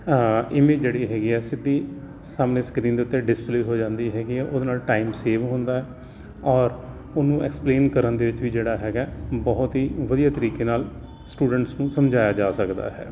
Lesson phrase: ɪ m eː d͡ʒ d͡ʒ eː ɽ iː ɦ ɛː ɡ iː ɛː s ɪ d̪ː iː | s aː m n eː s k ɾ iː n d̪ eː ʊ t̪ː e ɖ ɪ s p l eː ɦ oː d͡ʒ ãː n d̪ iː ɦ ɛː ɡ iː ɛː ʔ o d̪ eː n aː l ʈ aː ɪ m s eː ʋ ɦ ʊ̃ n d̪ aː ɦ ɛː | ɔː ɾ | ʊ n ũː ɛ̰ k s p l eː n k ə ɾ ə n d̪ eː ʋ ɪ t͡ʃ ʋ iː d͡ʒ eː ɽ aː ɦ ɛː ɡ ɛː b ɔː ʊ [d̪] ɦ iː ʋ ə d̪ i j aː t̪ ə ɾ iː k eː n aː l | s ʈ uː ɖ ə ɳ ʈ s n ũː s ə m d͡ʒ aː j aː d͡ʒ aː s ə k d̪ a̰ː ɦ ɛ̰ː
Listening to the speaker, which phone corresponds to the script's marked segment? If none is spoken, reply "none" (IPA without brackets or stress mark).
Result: t̪